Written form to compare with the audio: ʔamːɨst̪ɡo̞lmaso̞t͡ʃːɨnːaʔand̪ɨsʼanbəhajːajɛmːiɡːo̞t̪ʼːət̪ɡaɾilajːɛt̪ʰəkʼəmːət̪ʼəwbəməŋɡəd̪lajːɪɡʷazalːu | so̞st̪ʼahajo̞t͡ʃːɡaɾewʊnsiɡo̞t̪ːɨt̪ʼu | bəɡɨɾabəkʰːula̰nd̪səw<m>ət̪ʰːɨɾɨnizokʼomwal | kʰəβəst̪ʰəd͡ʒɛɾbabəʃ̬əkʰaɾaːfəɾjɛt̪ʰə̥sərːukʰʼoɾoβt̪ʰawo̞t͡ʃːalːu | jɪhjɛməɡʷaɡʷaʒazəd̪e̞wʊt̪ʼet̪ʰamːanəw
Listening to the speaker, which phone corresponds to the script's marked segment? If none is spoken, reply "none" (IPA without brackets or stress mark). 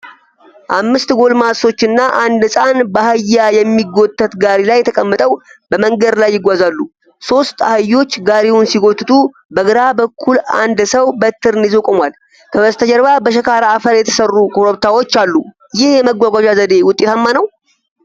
b